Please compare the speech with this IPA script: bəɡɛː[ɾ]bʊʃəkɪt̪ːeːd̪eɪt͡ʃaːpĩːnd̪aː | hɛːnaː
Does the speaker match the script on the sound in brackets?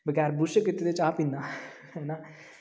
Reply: yes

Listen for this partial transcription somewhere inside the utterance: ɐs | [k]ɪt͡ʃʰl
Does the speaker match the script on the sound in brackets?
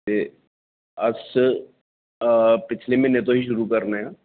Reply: no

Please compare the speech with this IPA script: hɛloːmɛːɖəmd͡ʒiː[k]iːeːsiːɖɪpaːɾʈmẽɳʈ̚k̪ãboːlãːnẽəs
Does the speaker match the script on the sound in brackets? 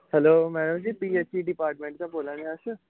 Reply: no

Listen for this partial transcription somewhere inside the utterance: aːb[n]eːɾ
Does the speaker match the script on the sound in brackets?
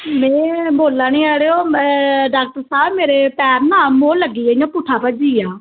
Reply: no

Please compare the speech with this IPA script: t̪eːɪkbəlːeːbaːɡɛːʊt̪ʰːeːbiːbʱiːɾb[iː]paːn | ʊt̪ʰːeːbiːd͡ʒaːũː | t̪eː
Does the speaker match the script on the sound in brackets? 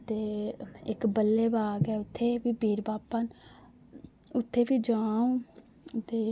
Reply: no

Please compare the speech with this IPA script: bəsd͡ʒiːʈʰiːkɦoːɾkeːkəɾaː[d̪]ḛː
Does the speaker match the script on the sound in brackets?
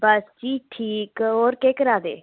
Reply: yes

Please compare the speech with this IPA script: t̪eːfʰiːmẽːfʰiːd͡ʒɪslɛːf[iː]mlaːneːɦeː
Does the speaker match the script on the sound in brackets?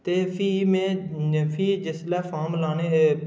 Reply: no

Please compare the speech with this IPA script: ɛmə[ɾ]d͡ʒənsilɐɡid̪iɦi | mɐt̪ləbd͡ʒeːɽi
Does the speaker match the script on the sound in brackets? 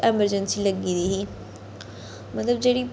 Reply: yes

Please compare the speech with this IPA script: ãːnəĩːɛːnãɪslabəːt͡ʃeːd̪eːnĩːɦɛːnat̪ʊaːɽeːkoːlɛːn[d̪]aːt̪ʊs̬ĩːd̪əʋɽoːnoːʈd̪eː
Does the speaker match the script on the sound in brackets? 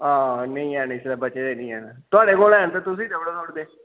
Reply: no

